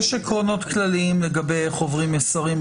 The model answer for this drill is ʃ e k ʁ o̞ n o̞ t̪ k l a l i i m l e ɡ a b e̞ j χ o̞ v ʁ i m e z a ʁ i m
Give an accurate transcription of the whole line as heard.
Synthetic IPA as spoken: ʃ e k ʁ o̞ n o̞ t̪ k l a l i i m l e ɡ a b e̞ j χ o̞ v ʁ i m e s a ʁ i m